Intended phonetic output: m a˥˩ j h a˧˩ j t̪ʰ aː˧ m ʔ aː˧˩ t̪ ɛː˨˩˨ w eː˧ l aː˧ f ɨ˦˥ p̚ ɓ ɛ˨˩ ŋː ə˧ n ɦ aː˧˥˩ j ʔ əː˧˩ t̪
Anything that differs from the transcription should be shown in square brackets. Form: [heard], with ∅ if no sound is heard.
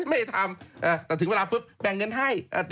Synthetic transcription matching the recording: m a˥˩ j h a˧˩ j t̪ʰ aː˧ m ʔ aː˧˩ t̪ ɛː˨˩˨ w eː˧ l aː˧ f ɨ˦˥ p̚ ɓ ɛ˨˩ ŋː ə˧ n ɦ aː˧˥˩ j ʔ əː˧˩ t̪